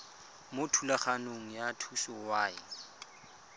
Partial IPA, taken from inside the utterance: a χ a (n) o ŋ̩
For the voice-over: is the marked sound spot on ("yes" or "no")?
yes